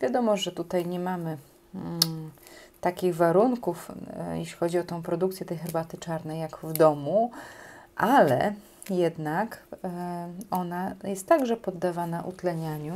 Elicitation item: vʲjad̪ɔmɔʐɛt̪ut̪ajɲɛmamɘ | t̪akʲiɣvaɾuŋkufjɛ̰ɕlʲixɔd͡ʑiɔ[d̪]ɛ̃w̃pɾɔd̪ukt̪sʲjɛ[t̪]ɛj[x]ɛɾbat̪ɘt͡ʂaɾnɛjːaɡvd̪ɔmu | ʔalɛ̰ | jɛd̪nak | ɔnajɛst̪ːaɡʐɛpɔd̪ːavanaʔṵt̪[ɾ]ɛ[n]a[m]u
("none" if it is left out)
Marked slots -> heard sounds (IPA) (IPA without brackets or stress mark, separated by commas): t̪, t̪, x, l, ɲ, ɲ